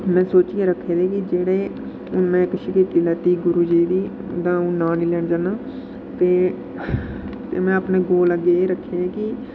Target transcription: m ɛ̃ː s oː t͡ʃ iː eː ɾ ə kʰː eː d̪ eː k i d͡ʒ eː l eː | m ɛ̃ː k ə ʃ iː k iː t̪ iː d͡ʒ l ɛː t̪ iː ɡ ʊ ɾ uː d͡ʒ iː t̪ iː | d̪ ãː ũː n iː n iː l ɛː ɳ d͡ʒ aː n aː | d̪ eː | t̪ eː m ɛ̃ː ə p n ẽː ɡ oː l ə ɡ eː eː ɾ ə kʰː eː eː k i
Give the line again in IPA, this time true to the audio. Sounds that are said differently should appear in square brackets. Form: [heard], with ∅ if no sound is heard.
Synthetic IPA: m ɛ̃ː s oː t͡ʃ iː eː ɾ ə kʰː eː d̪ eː k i d͡ʒ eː [ɽ] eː | m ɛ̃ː k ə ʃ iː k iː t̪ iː [∅] l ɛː t̪ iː ɡ ʊ ɾ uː d͡ʒ iː [d̪] iː | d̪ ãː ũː n [aː] n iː l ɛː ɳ d͡ʒ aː n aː | [t̪] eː | t̪ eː m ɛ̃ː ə p n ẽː ɡ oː l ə ɡ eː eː ɾ ə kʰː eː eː k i